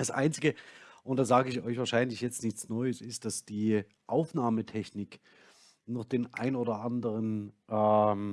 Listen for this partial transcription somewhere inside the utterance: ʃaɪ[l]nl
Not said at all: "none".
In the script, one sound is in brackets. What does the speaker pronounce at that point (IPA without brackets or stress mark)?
none